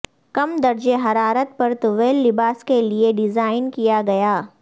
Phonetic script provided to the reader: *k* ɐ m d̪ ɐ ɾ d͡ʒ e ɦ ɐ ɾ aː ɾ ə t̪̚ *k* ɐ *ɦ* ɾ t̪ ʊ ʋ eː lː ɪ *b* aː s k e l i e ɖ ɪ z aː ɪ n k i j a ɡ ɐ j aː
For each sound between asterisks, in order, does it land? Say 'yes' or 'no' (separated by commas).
yes, no, no, yes